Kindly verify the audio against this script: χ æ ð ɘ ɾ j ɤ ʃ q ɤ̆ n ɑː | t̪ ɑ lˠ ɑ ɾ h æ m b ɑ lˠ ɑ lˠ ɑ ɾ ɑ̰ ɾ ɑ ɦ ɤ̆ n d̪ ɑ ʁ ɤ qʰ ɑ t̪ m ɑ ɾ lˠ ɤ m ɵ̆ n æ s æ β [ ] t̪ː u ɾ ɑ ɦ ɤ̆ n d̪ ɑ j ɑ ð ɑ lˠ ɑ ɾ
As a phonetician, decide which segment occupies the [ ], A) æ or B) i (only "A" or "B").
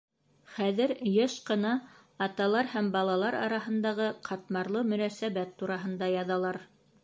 A